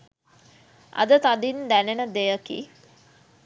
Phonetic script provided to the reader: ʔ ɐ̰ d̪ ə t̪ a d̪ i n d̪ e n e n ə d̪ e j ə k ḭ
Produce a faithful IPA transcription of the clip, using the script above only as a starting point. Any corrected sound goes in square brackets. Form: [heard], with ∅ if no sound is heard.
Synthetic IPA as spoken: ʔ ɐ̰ d̪ ə t̪ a d̪ i n d̪ [æ] n e n ə d̪ e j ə k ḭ